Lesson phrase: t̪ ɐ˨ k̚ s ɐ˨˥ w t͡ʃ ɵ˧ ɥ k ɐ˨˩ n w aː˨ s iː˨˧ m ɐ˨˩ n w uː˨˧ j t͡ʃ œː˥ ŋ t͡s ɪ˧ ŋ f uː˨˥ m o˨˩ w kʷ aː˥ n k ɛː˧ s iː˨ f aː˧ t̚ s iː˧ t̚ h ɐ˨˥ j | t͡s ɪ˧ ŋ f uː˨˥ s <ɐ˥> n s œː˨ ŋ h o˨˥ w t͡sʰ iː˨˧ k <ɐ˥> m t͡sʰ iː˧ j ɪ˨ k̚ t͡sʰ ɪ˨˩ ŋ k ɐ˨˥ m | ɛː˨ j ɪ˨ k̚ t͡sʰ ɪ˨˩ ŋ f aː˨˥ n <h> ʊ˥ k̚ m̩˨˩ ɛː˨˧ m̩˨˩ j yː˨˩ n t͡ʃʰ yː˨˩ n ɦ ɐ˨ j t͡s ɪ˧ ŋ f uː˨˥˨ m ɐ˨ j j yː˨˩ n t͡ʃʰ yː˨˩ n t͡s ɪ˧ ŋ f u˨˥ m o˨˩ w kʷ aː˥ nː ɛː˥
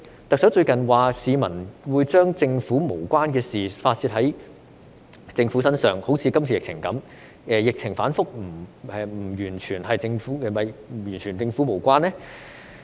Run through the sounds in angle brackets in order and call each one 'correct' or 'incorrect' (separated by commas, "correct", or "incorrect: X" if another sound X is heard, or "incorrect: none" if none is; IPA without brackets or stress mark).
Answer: correct, correct, incorrect: f